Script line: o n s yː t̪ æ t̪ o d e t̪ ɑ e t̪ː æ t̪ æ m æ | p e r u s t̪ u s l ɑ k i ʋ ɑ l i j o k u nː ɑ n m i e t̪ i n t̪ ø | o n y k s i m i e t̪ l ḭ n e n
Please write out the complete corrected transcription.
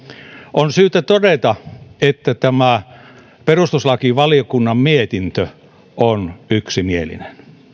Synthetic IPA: o n s yː t̪ æ t̪ o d e t̪ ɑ e t̪ː æ t̪ æ m æ | p e r u s t̪ u s l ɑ k i ʋ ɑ l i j o k u nː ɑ m m i e t̪ i n t̪ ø | o n y k s i m i e l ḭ n e n